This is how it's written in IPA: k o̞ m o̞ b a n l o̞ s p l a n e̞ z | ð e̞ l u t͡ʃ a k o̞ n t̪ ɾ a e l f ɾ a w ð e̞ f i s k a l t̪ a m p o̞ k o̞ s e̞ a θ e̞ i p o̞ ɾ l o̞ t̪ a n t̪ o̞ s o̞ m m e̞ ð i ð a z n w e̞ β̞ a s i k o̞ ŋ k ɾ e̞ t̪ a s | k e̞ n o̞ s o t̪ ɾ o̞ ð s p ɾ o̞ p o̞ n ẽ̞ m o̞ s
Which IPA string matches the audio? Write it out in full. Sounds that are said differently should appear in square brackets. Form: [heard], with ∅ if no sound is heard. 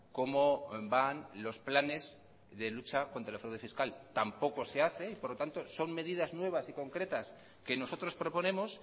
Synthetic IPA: k o̞ m o̞ b a n l o̞ s p l a n e̞ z | ð e̞ l u t͡ʃ a k o̞ n t̪ ɾ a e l f ɾ a w ð e̞ f i s k a l t̪ a m p o̞ k o̞ s e̞ a θ e̞ i p o̞ ɾ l o̞ t̪ a n t̪ o̞ s o̞ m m e̞ ð i ð a z n w e̞ β̞ a s i k o̞ ŋ k ɾ e̞ t̪ a s | k e̞ n o̞ s o t̪ ɾ o̞ [∅] s p ɾ o̞ p o̞ n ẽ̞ m o̞ s